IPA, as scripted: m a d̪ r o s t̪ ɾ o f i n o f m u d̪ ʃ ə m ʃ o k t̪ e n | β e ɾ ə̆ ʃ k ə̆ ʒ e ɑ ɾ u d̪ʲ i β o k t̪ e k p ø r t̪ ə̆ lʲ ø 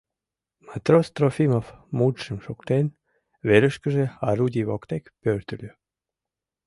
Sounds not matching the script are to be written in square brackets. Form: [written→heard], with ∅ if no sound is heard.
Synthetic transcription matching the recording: m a [d̪→t̪] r o s t̪ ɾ o f i [n→m] o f m u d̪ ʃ ə m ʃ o k t̪ e n | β e ɾ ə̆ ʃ k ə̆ ʒ e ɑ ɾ u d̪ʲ i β o k t̪ e k p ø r t̪ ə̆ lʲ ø